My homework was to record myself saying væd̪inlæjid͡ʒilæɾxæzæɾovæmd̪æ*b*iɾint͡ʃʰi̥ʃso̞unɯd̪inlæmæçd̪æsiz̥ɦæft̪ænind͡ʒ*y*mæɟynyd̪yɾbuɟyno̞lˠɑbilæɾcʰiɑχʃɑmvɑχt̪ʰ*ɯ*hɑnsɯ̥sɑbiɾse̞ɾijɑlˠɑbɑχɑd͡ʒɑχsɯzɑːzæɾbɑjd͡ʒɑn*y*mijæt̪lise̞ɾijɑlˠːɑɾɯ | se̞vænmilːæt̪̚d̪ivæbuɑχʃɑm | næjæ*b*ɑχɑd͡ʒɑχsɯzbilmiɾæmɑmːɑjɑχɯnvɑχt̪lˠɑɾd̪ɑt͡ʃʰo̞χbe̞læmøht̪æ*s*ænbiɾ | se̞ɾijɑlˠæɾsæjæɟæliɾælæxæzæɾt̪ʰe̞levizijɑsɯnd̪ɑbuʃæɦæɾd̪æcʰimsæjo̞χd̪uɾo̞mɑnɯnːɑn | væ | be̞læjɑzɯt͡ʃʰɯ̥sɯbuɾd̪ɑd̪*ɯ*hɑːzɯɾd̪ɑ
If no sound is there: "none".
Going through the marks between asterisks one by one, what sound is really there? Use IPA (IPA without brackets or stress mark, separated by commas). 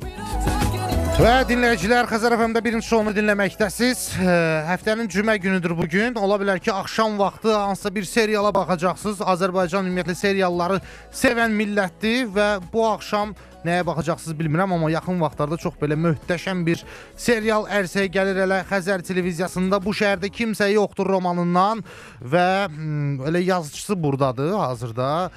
b, y, ɯ, y, b, ʃ, ɯ